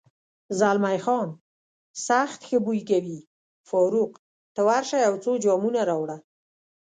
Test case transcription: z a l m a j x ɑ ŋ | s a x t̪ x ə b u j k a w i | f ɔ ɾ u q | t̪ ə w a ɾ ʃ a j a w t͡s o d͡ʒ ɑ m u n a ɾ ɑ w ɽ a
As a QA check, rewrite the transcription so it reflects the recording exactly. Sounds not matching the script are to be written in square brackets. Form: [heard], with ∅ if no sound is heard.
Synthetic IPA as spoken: z a l m a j x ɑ [n] | s a x t̪ x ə b u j k a w i | f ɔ ɾ u q | t̪ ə w a ɾ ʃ a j a w t͡s o d͡ʒ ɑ m u n a ɾ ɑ w ɽ a